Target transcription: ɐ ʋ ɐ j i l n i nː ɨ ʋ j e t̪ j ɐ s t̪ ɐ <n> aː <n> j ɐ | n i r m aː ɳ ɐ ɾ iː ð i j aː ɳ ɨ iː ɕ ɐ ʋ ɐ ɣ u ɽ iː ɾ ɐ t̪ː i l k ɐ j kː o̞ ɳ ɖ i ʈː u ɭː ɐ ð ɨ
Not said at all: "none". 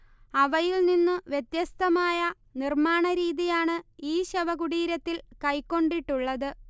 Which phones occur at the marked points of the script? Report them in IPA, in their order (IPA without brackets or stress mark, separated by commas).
m, none